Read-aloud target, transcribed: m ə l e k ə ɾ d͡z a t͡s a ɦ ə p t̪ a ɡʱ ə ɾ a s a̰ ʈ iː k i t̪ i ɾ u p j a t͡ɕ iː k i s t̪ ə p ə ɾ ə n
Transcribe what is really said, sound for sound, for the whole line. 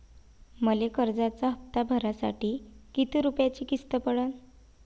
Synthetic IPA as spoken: m ə l e k ə ɾ d͡z a t͡s a ɦ ə p t̪ a bʱ ə ɾ a s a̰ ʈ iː k i t̪ i ɾ u p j a t͡ɕ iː k i s t̪ ə p ə ɽ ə n